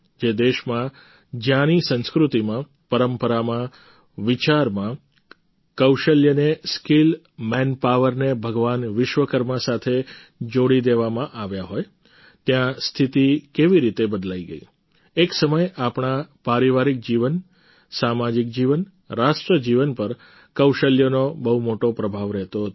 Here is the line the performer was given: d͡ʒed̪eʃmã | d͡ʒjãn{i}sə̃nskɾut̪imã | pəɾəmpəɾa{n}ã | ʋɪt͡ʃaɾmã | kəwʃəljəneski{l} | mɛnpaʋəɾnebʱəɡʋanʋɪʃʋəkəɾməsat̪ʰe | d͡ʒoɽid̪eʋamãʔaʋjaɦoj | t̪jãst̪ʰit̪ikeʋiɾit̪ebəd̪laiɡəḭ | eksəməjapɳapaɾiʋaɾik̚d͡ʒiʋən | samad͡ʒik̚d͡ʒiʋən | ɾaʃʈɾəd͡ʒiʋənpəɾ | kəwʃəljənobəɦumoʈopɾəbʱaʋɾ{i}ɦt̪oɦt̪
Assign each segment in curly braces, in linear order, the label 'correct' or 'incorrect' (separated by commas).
correct, incorrect, correct, incorrect